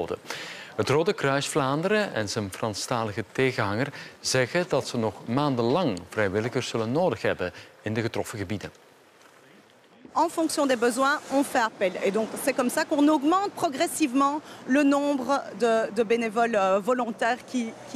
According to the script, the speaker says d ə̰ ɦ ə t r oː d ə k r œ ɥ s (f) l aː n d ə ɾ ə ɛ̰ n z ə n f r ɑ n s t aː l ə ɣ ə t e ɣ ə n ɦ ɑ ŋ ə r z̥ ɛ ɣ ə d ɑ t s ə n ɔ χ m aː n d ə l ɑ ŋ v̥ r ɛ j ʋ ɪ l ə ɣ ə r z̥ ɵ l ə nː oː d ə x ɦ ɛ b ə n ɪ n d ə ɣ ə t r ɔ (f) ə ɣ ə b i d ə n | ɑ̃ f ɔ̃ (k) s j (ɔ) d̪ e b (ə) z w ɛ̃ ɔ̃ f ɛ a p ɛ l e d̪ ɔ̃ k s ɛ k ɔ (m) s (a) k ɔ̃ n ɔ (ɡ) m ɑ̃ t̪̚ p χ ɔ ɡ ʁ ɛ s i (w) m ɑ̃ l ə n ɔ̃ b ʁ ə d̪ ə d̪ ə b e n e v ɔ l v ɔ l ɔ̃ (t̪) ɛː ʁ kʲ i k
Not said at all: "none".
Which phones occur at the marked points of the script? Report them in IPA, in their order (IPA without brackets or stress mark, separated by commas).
f, f, k, ɔ̃, ə, m, a, ɡ, v, t̪